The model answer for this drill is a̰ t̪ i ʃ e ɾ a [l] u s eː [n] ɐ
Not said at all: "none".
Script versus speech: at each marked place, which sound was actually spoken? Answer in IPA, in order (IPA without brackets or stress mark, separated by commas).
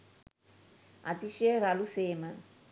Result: l, m